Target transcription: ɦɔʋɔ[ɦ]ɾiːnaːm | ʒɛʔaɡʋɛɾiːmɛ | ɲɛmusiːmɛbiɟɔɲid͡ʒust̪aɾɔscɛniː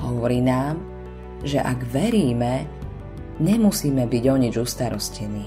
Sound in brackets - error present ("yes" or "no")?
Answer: yes